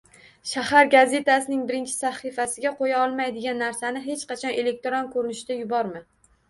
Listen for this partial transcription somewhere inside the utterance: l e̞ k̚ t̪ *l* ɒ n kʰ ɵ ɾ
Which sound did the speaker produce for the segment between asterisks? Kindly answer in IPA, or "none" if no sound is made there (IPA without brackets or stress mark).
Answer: ɾ